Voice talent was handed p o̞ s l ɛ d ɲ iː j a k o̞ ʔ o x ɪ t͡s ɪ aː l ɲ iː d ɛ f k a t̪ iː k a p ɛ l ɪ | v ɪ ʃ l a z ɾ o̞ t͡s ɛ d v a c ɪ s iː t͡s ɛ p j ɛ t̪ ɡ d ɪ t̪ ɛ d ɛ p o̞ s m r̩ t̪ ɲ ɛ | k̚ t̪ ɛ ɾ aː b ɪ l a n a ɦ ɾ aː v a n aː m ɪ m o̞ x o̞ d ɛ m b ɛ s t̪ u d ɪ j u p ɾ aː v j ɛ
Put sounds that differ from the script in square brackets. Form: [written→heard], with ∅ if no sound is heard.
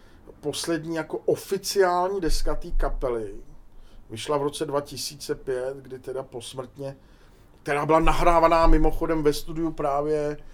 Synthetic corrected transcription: p o̞ s l ɛ d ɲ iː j a k o̞ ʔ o [x→f] ɪ t͡s ɪ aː l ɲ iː d ɛ [f→s] k a t̪ iː k a p ɛ l ɪ | v ɪ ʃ l a [z→v] ɾ o̞ t͡s ɛ d v a c ɪ s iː t͡s ɛ p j ɛ t̪ ɡ d ɪ t̪ ɛ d [ɛ→a] p o̞ s m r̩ t̪ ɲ ɛ | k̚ t̪ ɛ ɾ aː b ɪ l a n a ɦ ɾ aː v a n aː m ɪ m o̞ x o̞ d ɛ m [b→v] ɛ s t̪ u d ɪ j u p ɾ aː v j ɛ